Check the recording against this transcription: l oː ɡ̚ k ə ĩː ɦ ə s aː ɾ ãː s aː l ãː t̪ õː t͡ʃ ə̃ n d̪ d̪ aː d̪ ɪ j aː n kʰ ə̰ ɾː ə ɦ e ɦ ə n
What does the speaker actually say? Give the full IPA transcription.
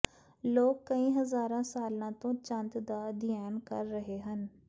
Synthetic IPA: l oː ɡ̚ k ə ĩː ɦ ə z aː ɾ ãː s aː l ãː t̪ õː t͡ʃ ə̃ n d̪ d̪ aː d̪ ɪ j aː n k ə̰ ɾː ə ɦ e ɦ ə n